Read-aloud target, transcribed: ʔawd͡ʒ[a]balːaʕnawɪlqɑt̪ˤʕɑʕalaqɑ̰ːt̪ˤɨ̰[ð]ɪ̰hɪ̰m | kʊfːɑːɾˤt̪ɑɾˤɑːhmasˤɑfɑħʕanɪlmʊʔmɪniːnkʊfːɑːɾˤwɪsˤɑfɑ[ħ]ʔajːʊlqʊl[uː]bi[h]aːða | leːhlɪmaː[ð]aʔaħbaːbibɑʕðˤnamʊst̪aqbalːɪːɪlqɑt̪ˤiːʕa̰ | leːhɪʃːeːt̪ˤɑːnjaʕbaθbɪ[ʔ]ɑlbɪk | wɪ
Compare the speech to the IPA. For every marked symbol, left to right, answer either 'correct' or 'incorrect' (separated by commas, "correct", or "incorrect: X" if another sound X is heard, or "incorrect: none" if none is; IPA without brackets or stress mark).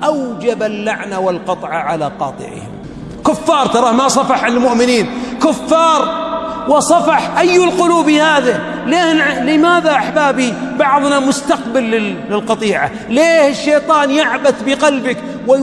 correct, incorrect: ʕ, correct, correct, correct, correct, incorrect: q